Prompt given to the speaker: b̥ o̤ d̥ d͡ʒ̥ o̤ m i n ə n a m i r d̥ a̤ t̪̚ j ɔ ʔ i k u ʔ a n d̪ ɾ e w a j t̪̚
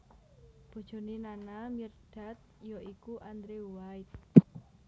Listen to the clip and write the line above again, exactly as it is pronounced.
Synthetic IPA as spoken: b̥ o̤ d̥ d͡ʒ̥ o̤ n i n a n a m i r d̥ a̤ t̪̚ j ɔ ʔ i k u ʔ a n d̪ ɾ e w a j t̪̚

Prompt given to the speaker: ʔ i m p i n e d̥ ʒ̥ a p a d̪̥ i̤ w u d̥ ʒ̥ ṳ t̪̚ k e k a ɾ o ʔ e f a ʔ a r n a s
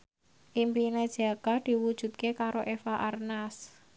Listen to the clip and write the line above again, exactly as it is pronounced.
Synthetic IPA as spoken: ʔ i m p i n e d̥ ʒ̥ a k a d̪̥ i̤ w u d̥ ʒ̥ ṳ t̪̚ k e k a ɾ o ʔ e f a ʔ a r n a s

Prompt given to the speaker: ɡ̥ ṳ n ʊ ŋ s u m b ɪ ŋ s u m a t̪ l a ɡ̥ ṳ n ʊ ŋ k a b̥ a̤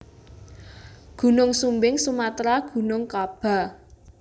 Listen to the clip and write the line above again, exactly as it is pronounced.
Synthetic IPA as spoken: ɡ̥ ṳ n ʊ ŋ s u m b ɪ ŋ s u m a t̪ ɾ a ɡ̥ ṳ n ʊ ŋ k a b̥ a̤

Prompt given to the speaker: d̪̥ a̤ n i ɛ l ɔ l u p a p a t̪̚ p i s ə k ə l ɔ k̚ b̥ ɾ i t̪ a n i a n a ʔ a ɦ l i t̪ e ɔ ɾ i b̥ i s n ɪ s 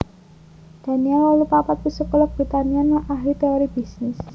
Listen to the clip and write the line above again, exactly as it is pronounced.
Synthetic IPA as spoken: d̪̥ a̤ n i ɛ l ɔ l u p a p a t̪̚ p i s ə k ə l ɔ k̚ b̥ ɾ i t̪ a n i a n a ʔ a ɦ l i t̪ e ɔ ɾ i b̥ i s n ɪ s

